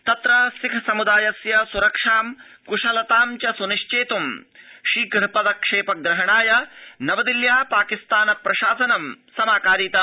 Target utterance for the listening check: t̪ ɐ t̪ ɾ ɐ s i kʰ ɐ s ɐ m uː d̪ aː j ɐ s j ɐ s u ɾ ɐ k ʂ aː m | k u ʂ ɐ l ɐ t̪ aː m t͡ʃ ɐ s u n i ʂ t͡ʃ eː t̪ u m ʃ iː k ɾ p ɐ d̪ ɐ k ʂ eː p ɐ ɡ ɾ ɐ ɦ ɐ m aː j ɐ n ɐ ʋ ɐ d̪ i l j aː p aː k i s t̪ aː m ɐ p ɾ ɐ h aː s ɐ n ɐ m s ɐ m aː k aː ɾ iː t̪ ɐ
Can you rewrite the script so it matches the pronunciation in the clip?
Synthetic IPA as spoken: t̪ ɐ t̪ ɾ ɐ s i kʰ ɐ s ɐ m u d̪ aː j ɐ s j ɐ s u ɾ ɐ k ʂ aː m | k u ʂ ɐ l ɐ t̪ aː m t͡ʃ ɐ s u n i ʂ t͡ʃ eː t̪ u m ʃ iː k ɾ p ɐ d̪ ɐ k ʂ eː p ɐ ɡ ɾ ɐ ɦ ɐ ɳ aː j ɐ n ɐ ʋ ɐ d̪ i l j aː p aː k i s t̪ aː n ɐ p ɾ ɐ ʃ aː s ɐ n ɐ m s ɐ m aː k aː ɾ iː t̪ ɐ